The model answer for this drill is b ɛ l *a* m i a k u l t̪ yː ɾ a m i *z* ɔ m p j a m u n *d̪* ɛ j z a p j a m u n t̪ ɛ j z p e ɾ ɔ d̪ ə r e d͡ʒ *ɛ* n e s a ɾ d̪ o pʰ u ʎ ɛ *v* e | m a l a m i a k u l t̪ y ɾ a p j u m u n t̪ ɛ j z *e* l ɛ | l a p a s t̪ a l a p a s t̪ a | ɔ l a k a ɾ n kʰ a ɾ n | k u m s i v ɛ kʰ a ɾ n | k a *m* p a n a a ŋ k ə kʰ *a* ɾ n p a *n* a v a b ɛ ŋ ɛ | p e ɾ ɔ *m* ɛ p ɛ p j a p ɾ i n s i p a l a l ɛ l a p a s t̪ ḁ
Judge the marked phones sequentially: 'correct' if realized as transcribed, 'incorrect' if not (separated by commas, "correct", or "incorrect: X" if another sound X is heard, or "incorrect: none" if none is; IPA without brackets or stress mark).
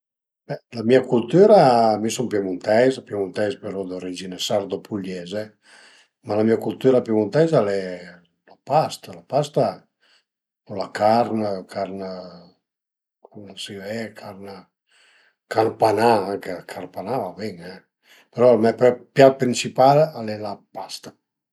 correct, incorrect: s, incorrect: t̪, incorrect: i, incorrect: z, incorrect: a, incorrect: n, correct, correct, correct